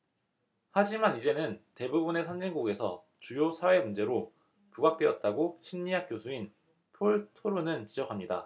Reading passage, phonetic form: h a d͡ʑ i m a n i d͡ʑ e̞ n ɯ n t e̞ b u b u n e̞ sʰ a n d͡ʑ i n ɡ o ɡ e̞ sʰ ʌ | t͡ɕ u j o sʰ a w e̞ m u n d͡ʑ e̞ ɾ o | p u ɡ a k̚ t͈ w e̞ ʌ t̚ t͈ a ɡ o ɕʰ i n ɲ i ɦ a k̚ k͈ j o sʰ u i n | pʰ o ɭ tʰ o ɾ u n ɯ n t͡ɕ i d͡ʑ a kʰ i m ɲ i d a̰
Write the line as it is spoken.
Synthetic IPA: h a d͡ʑ i m a n i d͡ʑ e̞ n ɯ n t e̞ b u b u n e̞ sʰ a n d͡ʑ i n ɡ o ɡ e̞ sʰ ʌ | t͡ɕ u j o sʰ a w e̞ m u n d͡ʑ e̞ ɾ o | p u ɡ a k̚ t͈ w e̞ ʌ t̚ t͈ a ɡ o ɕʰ i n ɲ i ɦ a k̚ k͈ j o sʰ u i n | pʰ o ɭ tʰ o ɾ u n ɯ n t͡ɕ i d͡ʑ ʌ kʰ a m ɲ i d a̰